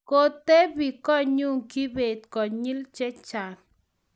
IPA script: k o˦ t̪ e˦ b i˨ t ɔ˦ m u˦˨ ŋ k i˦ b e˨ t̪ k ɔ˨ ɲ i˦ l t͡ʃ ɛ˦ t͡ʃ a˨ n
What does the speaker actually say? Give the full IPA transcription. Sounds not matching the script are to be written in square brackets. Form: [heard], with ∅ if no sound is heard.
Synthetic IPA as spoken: k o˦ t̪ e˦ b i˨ [k] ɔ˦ [ɲ] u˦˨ ŋ k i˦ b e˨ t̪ k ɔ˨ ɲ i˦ l t͡ʃ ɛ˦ t͡ʃ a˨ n

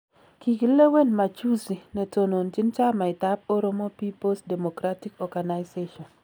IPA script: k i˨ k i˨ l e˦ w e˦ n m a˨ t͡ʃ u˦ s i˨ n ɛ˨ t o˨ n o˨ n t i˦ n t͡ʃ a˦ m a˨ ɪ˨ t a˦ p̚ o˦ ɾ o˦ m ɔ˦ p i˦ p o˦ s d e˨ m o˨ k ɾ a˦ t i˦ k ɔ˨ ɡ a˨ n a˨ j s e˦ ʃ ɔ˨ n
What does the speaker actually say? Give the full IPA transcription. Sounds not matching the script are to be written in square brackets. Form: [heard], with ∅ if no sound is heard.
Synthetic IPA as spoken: k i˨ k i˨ l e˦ w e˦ n m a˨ t͡ʃ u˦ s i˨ n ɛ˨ t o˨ n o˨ n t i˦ n t͡ʃ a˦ m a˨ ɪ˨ t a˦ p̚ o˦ ɾ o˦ m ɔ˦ p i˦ p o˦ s d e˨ m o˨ k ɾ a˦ t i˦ k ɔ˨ ɡ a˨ n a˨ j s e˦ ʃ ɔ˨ n

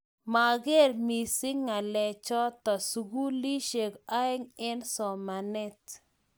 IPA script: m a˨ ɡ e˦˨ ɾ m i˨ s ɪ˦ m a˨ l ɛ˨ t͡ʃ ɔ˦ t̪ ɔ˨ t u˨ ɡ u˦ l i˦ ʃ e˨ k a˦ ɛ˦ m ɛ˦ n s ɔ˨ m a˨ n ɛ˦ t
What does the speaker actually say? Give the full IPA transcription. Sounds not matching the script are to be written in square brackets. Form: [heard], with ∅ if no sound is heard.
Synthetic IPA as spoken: m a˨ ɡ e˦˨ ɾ m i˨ s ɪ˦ [ŋ] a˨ l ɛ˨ t͡ʃ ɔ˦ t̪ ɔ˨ [s] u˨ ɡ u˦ l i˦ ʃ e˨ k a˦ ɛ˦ [ŋ] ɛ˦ n s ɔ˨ m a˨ n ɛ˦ t

